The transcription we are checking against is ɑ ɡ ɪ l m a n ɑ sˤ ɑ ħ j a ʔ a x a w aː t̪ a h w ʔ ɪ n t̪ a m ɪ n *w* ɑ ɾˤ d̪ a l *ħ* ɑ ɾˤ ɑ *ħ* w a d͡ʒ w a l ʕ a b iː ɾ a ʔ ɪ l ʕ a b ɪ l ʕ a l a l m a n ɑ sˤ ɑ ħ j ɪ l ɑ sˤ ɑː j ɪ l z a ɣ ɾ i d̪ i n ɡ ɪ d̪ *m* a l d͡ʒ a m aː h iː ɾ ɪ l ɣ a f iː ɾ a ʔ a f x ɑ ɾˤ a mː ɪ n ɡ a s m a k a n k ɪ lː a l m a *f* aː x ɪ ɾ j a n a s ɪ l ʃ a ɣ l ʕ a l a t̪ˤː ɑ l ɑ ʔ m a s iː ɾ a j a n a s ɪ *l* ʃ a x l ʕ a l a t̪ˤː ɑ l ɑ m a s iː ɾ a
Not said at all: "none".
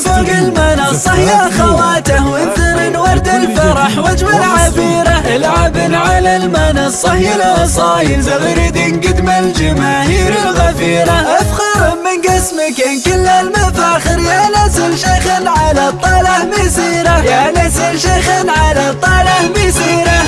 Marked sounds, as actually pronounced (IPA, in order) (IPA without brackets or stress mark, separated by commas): w, f, ħ, m, f, l